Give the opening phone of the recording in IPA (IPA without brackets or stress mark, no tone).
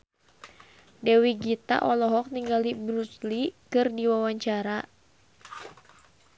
d